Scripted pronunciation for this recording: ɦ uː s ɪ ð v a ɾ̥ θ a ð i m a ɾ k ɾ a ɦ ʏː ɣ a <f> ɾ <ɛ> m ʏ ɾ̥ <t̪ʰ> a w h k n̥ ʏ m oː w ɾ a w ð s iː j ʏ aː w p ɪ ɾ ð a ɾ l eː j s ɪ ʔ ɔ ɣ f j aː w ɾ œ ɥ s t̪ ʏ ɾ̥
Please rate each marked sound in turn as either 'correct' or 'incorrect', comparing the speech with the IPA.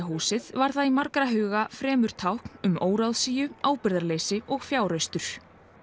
correct, incorrect: ɛː, correct

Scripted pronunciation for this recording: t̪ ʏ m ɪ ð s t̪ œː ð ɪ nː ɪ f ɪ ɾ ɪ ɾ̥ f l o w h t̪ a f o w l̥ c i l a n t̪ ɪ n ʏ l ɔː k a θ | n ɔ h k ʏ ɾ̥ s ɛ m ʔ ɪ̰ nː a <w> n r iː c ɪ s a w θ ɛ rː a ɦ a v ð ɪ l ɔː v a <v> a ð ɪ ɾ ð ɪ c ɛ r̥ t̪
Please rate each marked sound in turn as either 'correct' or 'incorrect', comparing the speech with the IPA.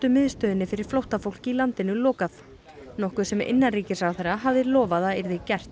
incorrect: none, incorrect: ð

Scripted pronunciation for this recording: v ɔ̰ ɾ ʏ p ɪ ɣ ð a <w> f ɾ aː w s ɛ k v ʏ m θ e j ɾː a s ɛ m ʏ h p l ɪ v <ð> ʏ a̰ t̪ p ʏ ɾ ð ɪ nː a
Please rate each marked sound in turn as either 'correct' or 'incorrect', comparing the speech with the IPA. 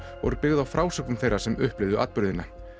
correct, correct

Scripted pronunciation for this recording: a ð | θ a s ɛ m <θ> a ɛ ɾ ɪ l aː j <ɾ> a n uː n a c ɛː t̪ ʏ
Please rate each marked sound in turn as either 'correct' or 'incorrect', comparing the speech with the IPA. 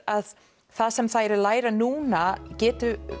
correct, correct

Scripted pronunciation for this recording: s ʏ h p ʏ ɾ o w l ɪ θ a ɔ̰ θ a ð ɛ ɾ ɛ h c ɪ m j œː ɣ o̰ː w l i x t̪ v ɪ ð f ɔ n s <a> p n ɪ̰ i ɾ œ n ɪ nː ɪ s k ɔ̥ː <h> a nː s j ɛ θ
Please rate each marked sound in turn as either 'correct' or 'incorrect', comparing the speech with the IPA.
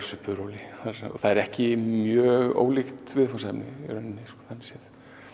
incorrect: ɛ, incorrect: θ

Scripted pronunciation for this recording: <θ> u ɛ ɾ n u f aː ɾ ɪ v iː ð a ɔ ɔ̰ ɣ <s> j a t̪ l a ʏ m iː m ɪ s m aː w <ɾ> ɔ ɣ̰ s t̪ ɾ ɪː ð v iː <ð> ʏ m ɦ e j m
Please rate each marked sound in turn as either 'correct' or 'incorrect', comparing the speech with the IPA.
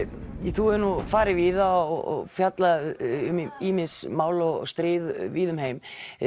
correct, incorrect: f, incorrect: l, correct

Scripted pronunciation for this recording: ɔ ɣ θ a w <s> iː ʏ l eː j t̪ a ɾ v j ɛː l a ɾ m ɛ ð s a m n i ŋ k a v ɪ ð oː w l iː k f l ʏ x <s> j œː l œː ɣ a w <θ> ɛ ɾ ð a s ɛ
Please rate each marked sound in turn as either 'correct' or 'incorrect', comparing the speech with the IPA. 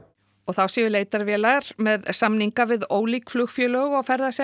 correct, incorrect: f, incorrect: f

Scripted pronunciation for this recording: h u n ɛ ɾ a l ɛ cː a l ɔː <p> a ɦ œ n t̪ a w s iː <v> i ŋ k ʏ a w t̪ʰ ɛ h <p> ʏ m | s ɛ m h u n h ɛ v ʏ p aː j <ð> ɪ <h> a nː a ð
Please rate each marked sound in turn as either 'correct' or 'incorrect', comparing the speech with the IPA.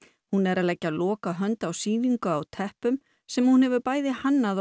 incorrect: k, correct, correct, correct, correct

